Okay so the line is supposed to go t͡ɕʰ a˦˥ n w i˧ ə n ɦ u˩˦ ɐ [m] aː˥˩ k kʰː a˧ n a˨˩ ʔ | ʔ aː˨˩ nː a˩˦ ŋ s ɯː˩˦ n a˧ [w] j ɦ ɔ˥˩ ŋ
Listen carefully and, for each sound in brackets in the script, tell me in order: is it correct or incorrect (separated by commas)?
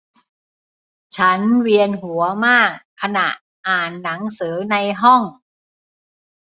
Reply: correct, incorrect